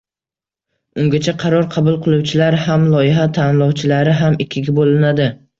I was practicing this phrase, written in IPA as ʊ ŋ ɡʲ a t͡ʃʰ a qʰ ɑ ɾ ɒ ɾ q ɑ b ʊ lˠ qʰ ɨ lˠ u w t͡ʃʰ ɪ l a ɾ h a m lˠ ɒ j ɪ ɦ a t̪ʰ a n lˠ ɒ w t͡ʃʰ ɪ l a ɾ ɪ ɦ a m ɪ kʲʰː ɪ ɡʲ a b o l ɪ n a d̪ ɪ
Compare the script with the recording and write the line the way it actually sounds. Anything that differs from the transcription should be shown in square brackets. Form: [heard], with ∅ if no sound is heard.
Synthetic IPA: ʊ ŋ ɡʲ a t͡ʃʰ a qʰ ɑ ɾ ɒ ɾ [qʰ] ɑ b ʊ lˠ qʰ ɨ lˠ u w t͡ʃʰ ɪ l a ɾ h a m lˠ ɒ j ɪ ɦ a t̪ʰ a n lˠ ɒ w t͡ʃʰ ɪ l a ɾ ɪ ɦ a m ɪ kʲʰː ɪ ɡʲ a b o l ɪ n a d̪ ɪ